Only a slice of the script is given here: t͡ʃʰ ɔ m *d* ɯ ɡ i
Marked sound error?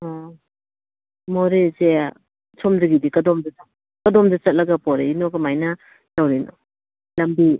no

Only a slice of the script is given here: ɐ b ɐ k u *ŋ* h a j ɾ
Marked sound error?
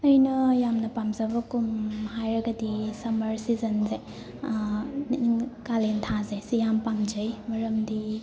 yes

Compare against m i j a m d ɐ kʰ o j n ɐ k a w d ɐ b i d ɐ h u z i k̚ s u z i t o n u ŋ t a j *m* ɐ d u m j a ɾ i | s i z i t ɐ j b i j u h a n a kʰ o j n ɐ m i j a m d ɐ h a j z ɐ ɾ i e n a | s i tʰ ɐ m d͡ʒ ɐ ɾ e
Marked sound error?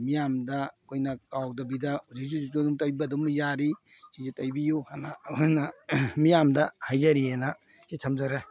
yes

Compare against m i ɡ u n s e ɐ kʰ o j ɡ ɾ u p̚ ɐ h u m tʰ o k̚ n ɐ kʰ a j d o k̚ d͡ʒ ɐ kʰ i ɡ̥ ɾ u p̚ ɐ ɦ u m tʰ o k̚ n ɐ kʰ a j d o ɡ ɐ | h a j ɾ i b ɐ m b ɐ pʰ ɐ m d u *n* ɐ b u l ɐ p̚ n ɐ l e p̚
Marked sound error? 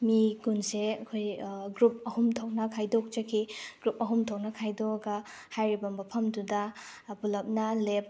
yes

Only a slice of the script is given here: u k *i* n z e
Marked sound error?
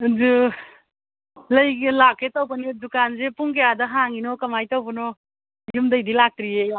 yes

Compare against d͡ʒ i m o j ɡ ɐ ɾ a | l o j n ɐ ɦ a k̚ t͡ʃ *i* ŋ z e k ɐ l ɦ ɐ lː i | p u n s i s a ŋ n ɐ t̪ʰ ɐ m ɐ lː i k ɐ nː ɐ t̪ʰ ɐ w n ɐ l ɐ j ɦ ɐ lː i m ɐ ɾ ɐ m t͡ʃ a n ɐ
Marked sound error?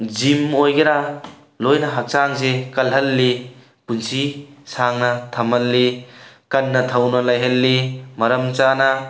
yes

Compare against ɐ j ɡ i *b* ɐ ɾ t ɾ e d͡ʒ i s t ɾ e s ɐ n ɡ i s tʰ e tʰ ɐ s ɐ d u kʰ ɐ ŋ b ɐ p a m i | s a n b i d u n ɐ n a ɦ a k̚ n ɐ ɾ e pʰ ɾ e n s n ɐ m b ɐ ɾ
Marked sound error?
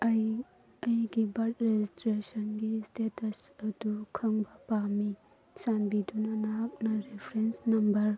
no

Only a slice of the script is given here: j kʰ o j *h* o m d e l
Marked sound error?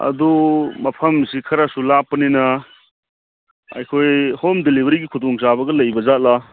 no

